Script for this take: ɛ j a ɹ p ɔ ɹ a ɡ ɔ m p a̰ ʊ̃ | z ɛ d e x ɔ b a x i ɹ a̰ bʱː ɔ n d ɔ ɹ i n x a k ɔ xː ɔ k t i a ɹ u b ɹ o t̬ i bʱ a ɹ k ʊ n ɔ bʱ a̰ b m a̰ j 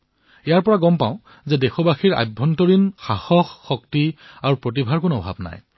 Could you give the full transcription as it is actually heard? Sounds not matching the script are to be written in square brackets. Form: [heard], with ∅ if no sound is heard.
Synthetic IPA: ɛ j a ɹ p ɔ ɹ a ɡ ɔ m p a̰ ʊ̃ | z ɛ d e x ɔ b a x i ɹ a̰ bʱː ɔ n [t] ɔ ɹ i n x a [x] ɔ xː ɔ k t i a ɹ u [p] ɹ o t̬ i bʱ a ɹ k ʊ n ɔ bʱ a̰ b [n] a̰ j